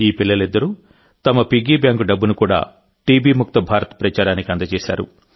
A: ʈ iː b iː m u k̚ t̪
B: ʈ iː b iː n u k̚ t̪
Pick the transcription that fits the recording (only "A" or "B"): A